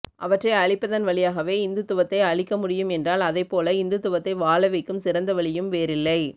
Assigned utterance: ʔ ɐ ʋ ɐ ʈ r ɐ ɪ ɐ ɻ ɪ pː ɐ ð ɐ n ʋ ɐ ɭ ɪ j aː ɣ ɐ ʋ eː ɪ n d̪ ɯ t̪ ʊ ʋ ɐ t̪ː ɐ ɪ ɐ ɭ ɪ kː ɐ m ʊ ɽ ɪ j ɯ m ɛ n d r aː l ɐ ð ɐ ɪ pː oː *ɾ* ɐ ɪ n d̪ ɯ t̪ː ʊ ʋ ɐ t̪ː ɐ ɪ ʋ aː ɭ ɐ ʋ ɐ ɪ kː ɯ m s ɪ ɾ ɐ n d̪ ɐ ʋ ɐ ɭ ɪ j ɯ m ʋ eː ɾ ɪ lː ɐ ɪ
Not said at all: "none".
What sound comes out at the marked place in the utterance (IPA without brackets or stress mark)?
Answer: l